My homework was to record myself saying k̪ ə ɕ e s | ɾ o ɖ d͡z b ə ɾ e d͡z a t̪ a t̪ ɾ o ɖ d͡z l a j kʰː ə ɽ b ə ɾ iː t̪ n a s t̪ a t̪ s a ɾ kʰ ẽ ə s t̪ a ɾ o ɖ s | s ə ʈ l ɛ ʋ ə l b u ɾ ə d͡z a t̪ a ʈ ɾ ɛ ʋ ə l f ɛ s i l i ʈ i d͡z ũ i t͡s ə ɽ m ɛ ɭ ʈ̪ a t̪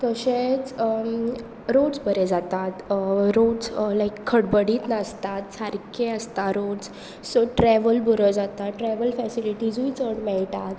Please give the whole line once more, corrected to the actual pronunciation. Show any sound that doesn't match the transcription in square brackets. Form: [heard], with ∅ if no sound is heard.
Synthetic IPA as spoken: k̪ ə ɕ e [t͡s] | ɾ o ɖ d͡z b ə ɾ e d͡z a t̪ a t̪ ɾ o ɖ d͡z l a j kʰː ə ɽ b ə [ɽ] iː t̪ n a s t̪ a t̪ s a ɾ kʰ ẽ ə s t̪ a ɾ o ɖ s | s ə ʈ [ɾ] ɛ ʋ ə l b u ɾ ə d͡z a t̪ a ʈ ɾ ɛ ʋ ə l f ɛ s i l i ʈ i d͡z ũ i t͡s ə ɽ m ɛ ɭ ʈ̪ a t̪